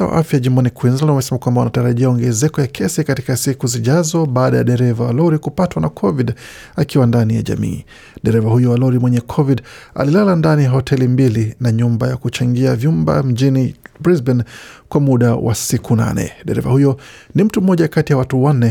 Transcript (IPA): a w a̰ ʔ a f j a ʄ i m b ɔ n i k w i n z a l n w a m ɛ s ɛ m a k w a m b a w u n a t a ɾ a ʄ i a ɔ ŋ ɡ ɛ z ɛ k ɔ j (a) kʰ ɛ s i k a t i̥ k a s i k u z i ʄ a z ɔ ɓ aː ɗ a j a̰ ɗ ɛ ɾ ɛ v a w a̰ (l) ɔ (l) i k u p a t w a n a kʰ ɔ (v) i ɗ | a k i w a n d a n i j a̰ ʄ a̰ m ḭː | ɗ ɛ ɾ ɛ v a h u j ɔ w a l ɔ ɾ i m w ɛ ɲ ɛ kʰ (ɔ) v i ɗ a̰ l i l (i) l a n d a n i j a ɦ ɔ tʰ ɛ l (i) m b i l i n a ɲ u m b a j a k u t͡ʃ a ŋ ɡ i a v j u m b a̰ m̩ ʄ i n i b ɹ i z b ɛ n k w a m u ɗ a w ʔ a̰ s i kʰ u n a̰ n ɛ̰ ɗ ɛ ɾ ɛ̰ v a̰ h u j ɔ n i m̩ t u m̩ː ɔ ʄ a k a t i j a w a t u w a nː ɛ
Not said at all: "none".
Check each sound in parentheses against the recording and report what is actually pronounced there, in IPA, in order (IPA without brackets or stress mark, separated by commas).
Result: a, l, ɾ, v, ɔ, a, i